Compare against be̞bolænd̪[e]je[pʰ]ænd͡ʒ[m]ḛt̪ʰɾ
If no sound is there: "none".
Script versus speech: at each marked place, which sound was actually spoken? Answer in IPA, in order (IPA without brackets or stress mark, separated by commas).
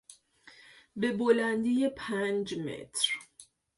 i, pʰ, m